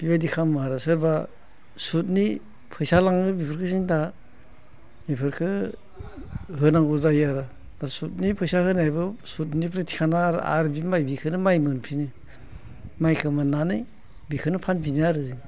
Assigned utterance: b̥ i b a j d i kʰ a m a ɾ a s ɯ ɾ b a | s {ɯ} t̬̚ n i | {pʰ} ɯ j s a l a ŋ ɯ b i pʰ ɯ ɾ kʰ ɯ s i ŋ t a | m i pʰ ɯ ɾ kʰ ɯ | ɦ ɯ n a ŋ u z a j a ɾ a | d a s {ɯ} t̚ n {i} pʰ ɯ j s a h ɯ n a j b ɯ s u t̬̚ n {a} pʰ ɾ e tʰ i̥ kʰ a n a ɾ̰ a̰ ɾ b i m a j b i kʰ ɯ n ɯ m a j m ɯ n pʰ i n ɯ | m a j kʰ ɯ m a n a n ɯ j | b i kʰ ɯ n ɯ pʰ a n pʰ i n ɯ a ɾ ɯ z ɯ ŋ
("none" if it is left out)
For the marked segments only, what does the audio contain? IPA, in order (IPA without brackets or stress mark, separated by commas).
u, pʰ, u, i, i